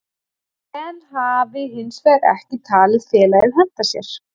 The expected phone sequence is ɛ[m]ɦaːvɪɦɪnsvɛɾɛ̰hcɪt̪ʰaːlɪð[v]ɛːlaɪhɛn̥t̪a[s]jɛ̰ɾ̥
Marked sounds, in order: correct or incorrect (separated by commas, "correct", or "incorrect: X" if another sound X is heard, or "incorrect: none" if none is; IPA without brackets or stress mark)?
incorrect: n, incorrect: f, correct